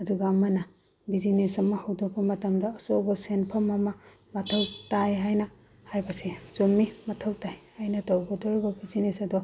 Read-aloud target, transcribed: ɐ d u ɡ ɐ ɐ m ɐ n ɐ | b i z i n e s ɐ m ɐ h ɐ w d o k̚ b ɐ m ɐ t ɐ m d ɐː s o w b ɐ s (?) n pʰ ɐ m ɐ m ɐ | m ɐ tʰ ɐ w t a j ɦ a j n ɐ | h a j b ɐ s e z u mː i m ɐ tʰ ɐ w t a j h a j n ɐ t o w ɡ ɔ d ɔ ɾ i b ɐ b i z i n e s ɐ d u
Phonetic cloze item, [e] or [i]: e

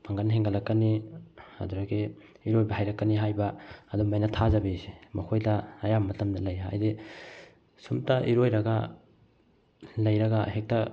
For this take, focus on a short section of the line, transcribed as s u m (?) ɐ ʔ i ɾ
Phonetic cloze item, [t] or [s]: t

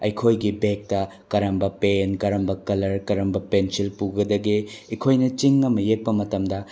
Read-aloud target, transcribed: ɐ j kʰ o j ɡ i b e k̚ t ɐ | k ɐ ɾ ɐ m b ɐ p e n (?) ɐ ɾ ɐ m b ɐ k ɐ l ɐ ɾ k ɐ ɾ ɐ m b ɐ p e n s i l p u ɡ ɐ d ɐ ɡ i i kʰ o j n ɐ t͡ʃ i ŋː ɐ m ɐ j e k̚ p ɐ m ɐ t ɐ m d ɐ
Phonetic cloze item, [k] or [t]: k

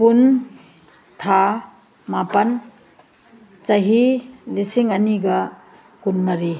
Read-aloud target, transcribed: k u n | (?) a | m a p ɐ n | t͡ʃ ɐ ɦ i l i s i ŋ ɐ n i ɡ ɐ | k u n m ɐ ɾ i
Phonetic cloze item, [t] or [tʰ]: tʰ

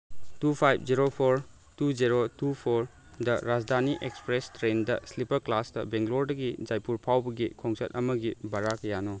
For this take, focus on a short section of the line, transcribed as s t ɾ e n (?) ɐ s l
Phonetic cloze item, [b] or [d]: d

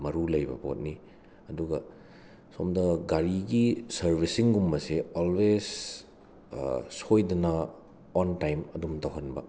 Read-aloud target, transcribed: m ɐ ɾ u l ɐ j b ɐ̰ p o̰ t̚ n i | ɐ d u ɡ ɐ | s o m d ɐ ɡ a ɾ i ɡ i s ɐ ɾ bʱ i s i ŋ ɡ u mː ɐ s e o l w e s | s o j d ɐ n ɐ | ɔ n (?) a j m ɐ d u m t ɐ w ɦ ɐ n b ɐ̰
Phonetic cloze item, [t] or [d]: t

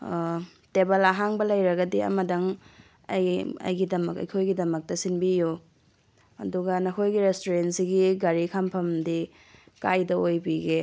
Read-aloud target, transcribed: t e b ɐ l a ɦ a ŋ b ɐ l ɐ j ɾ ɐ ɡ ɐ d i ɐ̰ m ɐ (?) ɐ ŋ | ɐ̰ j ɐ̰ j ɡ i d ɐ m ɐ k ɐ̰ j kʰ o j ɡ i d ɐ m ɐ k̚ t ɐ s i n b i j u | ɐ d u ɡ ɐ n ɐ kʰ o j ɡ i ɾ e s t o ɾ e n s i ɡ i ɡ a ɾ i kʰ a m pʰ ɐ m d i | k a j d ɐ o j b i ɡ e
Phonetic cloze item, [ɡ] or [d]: d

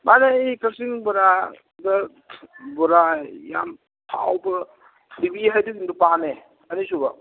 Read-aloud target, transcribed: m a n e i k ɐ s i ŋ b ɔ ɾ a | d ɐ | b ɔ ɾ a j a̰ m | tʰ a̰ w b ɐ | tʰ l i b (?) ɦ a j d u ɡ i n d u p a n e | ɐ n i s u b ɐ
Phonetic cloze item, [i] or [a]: i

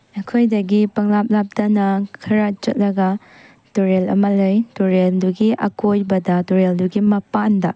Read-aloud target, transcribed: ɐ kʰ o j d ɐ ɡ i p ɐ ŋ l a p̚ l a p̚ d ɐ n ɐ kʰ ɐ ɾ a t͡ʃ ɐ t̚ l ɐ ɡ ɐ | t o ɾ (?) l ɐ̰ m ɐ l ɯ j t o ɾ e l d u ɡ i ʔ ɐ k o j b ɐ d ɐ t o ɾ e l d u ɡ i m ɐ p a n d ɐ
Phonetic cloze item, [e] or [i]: e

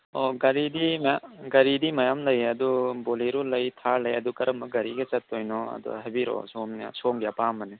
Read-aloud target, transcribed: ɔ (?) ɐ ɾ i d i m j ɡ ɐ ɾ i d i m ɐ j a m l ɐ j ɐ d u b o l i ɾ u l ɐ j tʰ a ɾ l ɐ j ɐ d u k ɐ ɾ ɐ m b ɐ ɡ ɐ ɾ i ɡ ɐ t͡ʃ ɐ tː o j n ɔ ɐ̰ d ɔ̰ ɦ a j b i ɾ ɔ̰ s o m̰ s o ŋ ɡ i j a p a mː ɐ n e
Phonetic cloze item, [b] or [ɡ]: ɡ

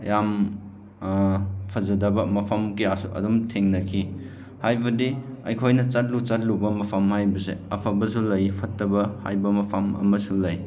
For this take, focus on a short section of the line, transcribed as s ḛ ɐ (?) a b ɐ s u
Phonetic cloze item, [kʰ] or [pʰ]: pʰ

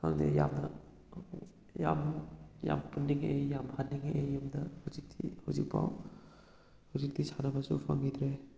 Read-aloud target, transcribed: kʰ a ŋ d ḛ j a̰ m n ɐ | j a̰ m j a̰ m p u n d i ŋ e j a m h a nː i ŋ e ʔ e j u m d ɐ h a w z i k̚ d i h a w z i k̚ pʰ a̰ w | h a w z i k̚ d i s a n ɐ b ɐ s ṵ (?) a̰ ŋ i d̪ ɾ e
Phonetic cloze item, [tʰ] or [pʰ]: pʰ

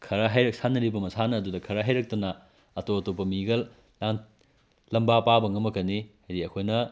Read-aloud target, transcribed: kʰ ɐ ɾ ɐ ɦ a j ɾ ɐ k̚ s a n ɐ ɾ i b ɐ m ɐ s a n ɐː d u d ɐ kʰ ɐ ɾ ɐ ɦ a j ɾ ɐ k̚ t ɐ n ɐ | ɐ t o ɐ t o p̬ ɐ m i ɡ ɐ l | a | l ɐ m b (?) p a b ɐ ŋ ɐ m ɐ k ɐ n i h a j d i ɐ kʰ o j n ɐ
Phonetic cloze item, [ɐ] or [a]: a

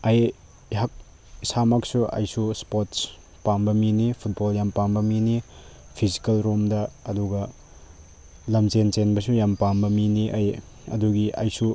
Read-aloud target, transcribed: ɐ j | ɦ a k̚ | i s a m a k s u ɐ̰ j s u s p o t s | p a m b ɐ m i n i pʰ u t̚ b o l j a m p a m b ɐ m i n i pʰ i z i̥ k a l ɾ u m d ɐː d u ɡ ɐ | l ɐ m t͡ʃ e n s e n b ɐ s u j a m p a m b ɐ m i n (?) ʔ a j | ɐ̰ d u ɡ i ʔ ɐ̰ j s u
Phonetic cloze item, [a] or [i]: i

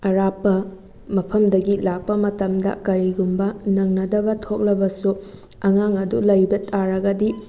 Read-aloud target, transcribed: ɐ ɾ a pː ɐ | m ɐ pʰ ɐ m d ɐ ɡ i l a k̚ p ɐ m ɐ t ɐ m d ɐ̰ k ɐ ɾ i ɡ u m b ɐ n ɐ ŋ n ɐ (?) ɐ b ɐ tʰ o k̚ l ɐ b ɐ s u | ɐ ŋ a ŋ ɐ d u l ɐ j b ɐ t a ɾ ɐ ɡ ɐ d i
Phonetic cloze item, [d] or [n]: d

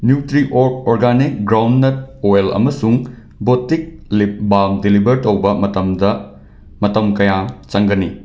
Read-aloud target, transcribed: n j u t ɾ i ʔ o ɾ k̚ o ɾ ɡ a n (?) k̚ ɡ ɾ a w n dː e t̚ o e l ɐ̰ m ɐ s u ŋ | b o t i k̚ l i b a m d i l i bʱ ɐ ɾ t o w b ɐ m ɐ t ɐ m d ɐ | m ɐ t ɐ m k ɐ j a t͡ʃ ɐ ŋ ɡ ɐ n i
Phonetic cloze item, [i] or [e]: i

